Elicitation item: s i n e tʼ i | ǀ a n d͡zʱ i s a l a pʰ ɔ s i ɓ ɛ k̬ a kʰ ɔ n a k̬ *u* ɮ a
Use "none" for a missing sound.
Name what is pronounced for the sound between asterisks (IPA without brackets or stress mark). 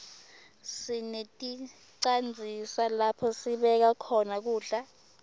uː